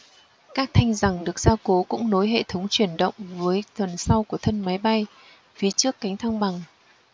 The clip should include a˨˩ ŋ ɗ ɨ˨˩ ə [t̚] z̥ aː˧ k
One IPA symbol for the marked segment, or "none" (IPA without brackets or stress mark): k̚